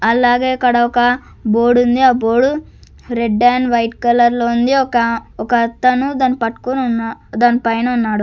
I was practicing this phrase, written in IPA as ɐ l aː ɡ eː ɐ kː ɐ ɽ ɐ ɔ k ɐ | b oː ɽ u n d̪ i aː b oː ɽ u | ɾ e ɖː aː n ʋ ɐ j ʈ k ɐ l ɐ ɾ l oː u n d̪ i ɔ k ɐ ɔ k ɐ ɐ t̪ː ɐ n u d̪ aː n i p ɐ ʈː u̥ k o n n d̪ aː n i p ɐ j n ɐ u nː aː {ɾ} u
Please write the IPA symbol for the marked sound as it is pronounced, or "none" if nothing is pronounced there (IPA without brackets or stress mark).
ɽ